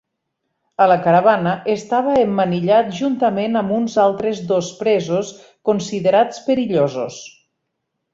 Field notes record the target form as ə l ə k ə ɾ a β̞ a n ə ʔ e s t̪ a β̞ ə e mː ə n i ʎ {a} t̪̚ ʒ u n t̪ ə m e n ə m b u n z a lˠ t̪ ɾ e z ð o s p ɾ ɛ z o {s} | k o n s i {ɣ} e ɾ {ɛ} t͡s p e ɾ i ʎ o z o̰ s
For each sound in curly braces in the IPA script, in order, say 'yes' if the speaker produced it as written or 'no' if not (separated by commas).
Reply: yes, yes, no, no